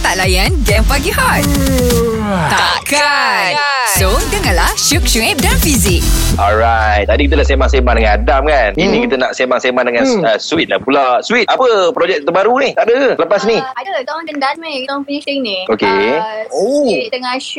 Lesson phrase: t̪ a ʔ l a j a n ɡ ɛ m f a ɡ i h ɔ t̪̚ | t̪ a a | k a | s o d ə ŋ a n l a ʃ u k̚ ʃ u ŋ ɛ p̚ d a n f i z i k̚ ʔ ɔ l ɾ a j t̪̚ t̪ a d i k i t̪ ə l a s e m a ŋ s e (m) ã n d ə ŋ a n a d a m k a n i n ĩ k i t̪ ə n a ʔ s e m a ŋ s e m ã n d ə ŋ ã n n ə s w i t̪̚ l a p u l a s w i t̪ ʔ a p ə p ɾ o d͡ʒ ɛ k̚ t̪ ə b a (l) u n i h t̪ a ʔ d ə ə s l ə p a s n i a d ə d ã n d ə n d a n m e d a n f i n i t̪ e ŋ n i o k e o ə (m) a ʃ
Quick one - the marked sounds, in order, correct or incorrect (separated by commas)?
correct, incorrect, incorrect